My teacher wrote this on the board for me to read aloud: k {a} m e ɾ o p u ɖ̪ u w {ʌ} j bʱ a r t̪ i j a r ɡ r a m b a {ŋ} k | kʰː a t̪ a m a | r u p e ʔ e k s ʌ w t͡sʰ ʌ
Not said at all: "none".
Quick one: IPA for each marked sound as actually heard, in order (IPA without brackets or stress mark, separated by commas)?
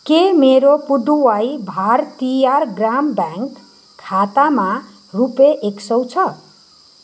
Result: e, a, ŋ